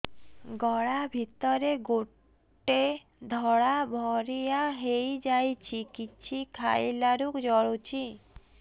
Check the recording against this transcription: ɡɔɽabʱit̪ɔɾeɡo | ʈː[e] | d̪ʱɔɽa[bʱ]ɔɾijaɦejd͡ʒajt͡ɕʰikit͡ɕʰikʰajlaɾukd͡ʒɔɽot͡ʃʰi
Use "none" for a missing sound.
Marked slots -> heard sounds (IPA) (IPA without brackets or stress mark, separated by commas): e, bʱ